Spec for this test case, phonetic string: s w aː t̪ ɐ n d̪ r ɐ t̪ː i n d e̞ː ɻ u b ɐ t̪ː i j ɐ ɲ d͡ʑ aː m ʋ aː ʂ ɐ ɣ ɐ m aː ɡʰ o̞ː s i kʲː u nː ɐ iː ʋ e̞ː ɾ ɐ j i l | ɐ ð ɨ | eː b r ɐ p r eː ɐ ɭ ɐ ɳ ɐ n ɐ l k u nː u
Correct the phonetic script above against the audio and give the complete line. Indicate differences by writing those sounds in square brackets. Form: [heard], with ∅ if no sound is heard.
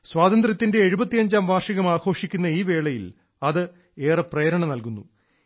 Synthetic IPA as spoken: s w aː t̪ ɐ n d̪ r ɐ t̪ː i n d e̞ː ɻ u b ɐ t̪ː i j ɐ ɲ d͡ʑ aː m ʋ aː ʂ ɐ ɣ ɐ m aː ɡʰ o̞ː [ʂ] i kʲː u nː ɐ iː ʋ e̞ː [ɭ] ɐ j i l | ɐ ð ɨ | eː [∅] r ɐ p r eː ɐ [ɾ] ɐ ɳ ɐ n ɐ l k u nː u